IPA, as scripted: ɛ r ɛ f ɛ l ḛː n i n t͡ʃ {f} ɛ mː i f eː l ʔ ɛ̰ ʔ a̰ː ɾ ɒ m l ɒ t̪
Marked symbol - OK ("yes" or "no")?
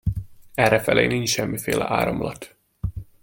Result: no